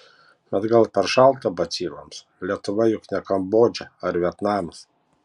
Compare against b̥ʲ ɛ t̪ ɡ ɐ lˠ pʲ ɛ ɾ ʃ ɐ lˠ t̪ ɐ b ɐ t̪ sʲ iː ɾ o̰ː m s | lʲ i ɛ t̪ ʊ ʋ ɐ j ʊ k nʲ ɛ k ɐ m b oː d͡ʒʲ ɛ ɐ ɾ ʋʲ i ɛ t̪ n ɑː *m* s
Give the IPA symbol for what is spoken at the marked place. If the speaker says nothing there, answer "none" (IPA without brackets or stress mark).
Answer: m